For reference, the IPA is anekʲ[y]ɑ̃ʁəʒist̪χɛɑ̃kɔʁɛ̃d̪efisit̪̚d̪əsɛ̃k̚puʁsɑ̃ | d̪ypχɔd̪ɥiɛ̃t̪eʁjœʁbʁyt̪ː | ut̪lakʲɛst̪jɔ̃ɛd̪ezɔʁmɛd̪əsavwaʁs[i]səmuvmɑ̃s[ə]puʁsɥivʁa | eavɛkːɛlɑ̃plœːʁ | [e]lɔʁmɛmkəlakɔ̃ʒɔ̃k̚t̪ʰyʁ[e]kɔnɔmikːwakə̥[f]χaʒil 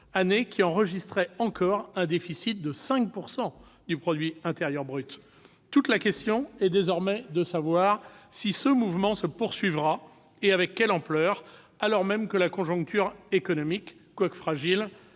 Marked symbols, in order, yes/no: no, yes, yes, no, yes, yes

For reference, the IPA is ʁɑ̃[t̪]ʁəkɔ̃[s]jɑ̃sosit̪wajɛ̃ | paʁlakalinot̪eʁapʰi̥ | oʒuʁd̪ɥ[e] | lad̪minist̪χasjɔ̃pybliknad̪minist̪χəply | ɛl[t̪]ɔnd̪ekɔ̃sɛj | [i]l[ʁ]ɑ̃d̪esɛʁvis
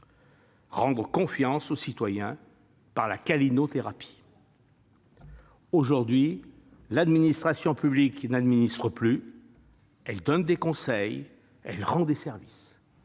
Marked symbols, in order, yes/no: no, no, no, no, no, yes

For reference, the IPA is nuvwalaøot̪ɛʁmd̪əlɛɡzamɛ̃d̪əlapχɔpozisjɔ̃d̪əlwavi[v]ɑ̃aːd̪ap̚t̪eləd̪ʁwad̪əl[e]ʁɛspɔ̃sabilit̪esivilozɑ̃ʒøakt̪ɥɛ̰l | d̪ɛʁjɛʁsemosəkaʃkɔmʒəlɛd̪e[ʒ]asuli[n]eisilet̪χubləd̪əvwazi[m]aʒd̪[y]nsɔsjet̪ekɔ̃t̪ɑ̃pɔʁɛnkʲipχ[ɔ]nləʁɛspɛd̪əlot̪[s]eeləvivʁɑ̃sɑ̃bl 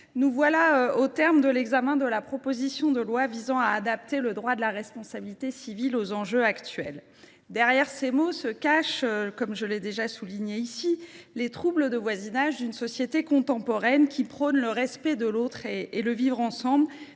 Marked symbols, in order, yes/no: no, no, yes, no, no, yes, yes, no

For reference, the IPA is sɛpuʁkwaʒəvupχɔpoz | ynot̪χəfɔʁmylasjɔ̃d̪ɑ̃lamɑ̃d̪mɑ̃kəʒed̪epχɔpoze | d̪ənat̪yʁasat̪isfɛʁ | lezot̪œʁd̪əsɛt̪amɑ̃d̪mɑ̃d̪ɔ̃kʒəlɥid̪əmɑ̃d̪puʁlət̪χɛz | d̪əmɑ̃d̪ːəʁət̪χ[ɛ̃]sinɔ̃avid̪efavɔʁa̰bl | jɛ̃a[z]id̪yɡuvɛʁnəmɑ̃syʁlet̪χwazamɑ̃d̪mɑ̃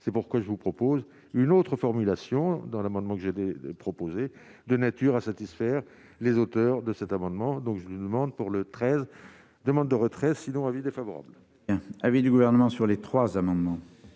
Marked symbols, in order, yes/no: no, no

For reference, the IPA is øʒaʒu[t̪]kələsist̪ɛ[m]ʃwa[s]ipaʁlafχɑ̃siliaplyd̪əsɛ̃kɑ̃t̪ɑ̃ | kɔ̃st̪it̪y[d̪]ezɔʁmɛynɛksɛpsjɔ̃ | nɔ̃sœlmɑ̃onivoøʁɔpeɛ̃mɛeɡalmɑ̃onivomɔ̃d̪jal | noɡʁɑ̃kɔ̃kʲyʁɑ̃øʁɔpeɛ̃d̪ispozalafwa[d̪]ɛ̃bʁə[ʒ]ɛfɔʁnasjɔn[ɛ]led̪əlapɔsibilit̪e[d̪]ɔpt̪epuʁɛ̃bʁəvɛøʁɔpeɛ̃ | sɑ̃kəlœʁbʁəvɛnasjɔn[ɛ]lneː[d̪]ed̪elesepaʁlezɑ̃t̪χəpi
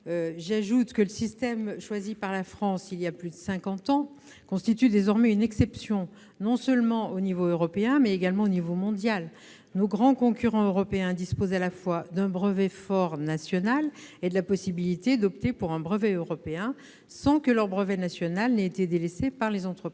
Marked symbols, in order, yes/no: yes, yes, no, yes, yes, no, no, yes, no, no

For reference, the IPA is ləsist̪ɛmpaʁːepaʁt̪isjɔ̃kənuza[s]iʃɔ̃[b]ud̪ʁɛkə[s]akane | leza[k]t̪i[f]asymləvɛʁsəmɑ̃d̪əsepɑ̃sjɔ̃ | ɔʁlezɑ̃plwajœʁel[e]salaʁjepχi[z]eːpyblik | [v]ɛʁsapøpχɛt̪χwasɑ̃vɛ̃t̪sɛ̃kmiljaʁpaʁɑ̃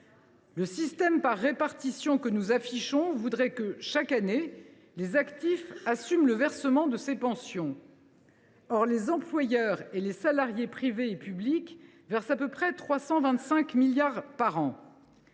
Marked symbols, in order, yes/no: no, no, no, yes, yes, yes, no, yes

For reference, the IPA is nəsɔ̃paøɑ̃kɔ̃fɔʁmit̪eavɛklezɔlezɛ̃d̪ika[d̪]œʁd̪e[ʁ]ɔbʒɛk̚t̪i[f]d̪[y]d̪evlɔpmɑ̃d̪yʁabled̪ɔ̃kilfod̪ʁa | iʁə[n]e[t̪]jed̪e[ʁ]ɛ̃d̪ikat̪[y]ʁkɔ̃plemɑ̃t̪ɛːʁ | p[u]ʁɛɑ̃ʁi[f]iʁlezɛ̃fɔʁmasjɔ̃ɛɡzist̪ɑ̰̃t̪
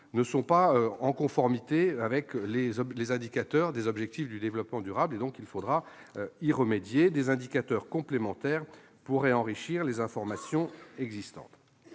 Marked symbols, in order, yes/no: no, no, yes, yes, no, no, no, no, yes, no

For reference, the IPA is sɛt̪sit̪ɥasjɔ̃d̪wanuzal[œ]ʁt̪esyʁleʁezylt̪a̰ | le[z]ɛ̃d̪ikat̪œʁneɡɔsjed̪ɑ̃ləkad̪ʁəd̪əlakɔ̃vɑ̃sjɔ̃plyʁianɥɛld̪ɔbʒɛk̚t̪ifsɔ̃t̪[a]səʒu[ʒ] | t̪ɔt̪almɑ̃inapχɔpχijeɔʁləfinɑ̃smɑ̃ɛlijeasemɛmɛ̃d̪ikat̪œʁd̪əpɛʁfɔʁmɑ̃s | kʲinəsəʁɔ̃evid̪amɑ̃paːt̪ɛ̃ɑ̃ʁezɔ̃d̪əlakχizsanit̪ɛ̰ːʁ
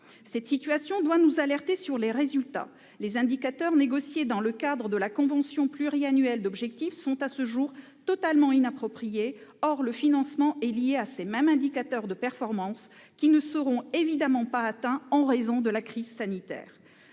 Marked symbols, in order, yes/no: no, yes, yes, no

